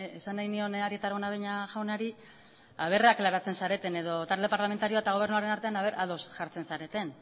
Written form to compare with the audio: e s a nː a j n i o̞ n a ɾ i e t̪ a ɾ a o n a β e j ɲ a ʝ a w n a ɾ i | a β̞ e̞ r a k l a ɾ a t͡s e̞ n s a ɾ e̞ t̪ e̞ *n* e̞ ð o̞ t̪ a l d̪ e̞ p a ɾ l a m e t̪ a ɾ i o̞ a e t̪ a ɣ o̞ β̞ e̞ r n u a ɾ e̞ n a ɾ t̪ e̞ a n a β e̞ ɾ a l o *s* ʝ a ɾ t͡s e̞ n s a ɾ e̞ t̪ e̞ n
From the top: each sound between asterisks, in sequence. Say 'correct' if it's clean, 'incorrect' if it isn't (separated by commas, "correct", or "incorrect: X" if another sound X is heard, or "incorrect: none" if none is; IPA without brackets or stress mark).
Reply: correct, correct